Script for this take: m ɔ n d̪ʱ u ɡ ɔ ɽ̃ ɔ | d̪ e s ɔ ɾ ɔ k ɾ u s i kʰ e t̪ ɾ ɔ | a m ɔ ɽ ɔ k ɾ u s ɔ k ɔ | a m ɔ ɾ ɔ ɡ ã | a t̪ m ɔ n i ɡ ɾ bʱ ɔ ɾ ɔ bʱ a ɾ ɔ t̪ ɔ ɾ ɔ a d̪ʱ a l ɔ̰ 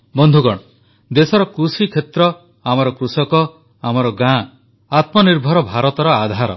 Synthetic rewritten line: b ɔ n d̪ʱ u ɡ ɔ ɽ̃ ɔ | d̪ e s ɔ ɾ ɔ k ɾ u s i kʰ e t̪ ɾ ɔ | a m ɔ ɾ ɔ k ɾ u s ɔ k ɔ | a m ɔ ɾ ɔ ɡ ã | a t̪ m ɔ n i ɾ bʱ ɔ ɾ ɔ bʱ a ɾ ɔ t̪ ɔ ɾ ɔ a d̪ʱ a ɾ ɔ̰